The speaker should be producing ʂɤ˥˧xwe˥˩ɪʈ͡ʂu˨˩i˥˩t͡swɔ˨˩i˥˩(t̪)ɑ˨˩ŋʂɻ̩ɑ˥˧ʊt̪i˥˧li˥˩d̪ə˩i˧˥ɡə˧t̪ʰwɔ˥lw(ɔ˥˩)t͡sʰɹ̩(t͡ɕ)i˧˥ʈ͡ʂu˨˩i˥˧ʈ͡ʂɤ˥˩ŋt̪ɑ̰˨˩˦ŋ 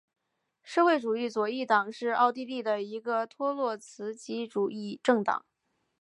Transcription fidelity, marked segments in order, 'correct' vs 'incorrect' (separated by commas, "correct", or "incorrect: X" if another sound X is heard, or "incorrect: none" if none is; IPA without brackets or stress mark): correct, correct, correct